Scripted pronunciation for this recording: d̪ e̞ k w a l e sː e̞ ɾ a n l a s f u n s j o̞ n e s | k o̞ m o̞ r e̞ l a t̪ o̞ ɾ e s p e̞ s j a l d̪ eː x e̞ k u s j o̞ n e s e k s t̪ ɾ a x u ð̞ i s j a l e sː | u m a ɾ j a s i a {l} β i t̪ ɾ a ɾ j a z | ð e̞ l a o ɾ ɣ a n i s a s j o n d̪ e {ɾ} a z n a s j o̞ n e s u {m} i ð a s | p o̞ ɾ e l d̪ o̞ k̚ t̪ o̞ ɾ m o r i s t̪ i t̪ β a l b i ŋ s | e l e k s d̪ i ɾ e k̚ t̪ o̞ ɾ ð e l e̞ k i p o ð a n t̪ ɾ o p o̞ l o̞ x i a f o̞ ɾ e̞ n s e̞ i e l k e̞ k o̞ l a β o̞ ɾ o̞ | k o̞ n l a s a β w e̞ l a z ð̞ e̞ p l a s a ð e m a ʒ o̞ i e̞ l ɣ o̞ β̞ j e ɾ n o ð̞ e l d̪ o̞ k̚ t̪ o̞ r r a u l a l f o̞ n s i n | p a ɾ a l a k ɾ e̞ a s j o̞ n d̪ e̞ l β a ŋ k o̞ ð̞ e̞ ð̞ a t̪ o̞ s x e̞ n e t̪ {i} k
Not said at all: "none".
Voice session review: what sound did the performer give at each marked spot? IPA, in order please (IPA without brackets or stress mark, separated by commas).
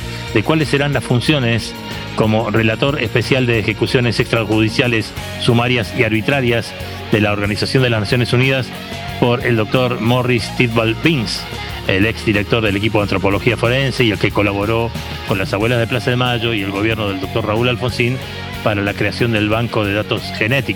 ɾ, l, n, i